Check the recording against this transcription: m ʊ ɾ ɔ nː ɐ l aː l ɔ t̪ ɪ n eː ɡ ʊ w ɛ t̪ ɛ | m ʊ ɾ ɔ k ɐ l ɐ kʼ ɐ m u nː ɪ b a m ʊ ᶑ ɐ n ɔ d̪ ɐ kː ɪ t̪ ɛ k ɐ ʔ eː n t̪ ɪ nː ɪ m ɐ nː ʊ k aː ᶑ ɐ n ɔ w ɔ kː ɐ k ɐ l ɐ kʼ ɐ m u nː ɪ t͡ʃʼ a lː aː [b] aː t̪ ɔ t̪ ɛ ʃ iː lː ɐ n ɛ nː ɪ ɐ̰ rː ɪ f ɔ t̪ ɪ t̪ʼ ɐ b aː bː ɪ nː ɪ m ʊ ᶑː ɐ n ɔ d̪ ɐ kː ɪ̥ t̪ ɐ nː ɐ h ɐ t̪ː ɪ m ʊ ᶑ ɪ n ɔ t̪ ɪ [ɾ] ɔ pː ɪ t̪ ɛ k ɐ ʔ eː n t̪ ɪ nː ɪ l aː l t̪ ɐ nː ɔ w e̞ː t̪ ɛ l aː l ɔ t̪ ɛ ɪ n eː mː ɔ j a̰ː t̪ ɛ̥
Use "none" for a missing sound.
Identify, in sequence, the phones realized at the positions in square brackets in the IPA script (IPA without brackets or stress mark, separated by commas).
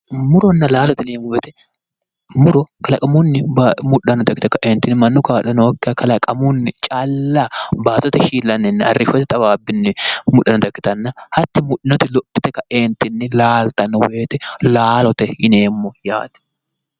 b, l